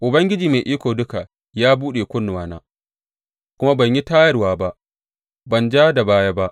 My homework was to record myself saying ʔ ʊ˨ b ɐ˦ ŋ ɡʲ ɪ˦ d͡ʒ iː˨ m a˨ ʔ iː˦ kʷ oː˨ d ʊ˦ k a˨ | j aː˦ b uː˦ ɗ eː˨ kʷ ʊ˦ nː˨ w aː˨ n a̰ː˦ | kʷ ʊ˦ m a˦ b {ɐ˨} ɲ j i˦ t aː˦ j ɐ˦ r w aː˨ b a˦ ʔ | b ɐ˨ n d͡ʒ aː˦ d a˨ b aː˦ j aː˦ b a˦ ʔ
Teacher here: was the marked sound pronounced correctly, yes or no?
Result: yes